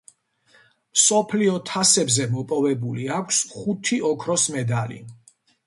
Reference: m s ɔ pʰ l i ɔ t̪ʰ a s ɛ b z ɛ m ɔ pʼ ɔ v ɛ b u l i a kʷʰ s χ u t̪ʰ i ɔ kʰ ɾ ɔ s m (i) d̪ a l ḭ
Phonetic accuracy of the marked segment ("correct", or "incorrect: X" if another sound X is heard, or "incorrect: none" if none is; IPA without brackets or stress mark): incorrect: ɛ